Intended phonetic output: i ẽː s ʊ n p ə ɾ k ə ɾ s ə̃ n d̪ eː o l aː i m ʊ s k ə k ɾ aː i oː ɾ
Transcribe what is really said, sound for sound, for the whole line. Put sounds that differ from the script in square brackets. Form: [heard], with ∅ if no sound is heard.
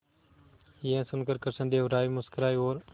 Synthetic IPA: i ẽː s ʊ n [k] ə ɾ k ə ɾ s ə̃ n d̪ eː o [ɾ] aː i m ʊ s k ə [∅] ɾ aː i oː ɾ